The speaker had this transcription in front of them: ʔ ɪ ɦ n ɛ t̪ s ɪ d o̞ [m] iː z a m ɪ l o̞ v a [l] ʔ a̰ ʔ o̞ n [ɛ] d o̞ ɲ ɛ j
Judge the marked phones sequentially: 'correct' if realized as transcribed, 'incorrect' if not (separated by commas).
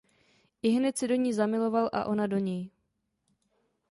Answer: incorrect, correct, incorrect